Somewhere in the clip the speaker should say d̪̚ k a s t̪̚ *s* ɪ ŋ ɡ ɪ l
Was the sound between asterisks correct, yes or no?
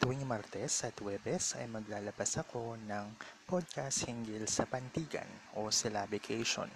no